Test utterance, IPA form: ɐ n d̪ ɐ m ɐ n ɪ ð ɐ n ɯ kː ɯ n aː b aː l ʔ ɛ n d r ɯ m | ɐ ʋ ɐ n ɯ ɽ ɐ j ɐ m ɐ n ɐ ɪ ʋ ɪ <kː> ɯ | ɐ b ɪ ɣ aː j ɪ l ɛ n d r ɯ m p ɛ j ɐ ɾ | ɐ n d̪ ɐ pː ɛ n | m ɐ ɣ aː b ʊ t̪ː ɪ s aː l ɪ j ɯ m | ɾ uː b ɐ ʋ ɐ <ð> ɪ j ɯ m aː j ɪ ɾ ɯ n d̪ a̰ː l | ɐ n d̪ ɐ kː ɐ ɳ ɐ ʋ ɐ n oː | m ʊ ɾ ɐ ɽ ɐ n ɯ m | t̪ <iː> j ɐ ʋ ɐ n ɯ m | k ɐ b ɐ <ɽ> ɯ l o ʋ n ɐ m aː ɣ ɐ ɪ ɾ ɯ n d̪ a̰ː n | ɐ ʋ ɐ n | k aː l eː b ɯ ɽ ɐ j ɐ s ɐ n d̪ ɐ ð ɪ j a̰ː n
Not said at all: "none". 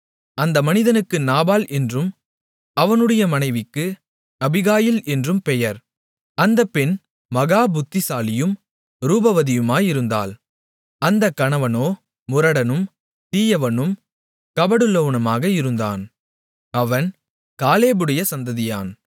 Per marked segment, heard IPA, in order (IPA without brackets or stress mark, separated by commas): kː, ð, iː, ɽ